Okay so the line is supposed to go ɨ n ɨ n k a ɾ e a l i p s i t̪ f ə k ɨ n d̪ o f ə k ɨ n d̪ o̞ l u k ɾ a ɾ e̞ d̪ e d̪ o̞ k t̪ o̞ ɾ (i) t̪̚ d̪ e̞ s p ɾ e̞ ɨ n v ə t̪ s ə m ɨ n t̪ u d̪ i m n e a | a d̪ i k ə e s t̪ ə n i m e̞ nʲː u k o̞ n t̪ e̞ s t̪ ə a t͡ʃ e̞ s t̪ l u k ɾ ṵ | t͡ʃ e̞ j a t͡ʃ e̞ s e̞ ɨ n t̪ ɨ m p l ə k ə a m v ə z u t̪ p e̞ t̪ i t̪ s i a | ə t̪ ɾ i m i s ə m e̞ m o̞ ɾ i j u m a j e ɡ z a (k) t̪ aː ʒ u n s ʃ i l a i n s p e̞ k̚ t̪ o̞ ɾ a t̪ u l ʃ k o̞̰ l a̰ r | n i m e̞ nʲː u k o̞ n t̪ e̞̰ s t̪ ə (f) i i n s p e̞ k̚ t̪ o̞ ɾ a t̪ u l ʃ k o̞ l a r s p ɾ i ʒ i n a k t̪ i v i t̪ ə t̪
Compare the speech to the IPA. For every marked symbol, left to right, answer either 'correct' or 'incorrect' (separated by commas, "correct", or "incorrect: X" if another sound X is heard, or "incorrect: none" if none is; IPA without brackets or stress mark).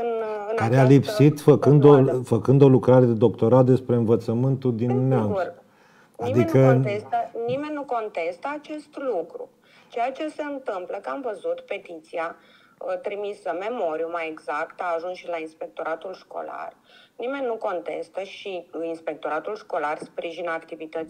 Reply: incorrect: a, correct, incorrect: ʃ